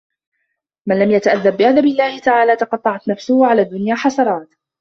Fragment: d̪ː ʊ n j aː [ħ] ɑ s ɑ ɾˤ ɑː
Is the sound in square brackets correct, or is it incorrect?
correct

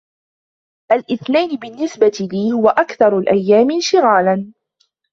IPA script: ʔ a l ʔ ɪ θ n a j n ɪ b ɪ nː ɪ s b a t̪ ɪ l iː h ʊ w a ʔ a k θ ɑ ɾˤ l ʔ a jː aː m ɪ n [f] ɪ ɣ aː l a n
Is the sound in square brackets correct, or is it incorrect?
incorrect: ʃ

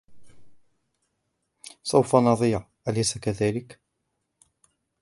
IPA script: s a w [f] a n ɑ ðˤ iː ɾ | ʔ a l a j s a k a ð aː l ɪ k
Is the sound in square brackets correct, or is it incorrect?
correct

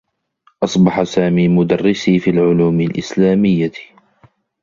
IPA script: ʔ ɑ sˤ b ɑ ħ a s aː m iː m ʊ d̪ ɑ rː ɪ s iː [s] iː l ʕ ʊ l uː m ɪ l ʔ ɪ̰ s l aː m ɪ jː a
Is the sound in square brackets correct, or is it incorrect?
incorrect: f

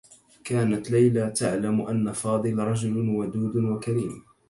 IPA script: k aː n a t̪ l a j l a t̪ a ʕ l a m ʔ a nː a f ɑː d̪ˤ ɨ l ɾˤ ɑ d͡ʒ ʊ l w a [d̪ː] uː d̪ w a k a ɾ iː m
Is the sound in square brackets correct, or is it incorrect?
incorrect: d̪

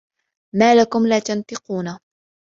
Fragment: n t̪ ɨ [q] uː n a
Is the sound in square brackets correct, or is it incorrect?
correct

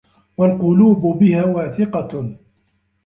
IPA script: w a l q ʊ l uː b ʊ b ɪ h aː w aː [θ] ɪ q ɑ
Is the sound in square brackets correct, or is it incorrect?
correct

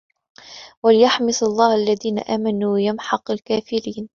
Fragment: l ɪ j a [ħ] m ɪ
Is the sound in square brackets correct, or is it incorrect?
correct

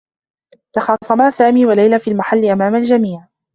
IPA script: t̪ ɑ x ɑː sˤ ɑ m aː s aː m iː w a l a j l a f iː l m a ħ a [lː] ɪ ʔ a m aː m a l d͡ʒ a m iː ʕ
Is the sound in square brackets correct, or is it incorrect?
correct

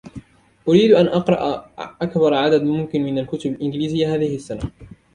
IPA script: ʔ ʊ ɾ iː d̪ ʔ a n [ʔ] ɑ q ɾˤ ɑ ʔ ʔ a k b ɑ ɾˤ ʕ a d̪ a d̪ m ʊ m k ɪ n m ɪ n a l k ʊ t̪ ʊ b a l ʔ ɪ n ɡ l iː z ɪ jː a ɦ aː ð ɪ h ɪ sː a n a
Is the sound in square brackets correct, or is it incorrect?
correct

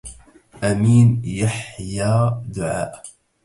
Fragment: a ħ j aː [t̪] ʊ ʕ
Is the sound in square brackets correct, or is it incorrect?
incorrect: d̪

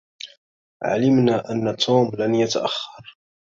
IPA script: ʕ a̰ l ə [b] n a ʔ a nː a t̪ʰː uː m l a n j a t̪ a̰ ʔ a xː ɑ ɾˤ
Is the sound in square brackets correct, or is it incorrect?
incorrect: m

